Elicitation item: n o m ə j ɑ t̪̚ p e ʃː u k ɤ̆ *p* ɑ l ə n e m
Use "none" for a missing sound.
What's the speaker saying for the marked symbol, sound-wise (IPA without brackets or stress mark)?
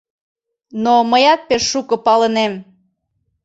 p